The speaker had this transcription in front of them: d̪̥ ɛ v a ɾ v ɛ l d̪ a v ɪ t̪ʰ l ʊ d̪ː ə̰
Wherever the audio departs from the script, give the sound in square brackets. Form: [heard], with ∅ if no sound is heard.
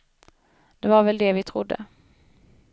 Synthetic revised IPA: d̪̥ ɛ v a ɾ v ɛ l d̪ [ɛ] v ɪ t̪ʰ [ɾ] ʊ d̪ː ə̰